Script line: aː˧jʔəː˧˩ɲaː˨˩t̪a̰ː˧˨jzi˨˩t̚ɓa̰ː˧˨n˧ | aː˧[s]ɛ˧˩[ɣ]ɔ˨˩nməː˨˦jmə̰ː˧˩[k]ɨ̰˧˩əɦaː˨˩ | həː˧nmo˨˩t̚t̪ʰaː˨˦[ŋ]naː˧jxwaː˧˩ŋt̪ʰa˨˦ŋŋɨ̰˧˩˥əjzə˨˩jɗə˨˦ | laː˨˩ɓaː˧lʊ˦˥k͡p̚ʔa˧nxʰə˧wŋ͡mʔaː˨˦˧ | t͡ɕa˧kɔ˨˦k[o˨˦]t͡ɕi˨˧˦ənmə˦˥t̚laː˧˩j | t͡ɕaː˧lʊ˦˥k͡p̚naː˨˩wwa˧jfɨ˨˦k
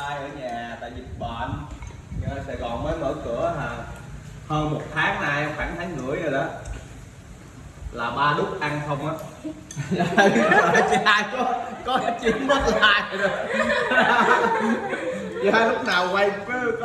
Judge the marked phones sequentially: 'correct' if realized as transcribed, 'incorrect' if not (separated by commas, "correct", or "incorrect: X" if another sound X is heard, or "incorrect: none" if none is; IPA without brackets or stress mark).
correct, correct, correct, correct, incorrect: ɔ˨˦